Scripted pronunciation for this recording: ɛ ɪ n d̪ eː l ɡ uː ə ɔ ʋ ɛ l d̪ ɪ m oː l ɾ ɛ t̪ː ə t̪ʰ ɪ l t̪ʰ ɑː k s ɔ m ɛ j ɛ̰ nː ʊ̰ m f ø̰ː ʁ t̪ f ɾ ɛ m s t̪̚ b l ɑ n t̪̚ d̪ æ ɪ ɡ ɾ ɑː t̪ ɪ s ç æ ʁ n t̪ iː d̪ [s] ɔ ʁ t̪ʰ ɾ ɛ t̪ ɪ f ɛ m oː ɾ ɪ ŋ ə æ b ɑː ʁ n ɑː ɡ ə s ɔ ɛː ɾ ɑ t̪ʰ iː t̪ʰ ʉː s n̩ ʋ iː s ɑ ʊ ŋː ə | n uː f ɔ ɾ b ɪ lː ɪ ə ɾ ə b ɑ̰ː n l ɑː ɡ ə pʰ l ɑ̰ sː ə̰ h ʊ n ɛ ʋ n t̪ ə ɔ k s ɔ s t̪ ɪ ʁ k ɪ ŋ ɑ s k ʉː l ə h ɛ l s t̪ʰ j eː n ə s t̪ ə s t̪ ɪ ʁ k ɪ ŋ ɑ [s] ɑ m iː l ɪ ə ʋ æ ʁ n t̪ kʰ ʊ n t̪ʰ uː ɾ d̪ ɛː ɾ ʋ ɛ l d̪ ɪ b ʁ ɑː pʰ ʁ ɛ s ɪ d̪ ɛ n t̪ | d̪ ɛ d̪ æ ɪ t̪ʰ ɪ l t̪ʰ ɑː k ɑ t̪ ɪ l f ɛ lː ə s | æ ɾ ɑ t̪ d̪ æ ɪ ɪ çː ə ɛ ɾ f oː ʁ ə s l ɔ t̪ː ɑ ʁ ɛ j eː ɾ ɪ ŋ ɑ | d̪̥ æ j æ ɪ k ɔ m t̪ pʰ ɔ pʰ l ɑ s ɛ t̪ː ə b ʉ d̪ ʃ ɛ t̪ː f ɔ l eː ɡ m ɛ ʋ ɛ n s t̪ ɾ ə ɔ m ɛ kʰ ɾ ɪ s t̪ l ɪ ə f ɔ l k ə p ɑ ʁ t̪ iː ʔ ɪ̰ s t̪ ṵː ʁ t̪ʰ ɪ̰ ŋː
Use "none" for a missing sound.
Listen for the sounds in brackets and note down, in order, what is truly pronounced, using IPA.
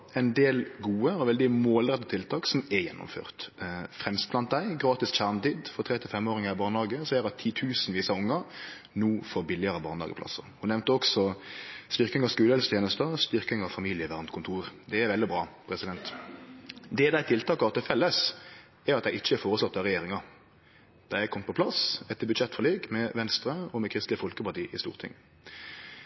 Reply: f, f

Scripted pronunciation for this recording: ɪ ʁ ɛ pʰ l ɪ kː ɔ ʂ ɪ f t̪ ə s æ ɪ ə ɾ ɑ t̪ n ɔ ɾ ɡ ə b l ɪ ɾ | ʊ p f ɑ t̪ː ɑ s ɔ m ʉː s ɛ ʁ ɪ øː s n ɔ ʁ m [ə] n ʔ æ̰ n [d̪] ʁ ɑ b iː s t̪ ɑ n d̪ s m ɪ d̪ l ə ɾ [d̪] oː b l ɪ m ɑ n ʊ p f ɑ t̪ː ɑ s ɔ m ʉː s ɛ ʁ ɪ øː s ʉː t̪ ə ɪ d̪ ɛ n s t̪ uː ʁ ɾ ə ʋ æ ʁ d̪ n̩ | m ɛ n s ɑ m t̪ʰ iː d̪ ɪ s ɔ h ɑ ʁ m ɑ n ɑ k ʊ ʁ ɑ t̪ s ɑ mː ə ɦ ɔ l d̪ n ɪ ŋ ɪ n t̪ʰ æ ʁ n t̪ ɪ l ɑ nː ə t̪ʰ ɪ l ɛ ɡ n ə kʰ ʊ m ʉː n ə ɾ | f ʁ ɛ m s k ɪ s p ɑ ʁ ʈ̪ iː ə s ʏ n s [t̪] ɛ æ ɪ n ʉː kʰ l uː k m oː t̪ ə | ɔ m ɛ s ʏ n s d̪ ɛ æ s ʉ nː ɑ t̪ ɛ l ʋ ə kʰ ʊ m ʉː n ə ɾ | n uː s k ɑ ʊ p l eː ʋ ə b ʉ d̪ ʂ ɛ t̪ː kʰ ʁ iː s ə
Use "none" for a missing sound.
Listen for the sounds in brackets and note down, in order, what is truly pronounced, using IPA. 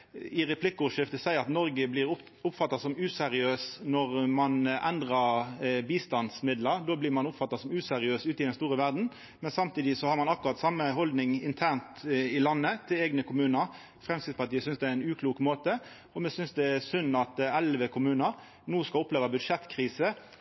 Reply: ɑ, d̪, d̪, d̪

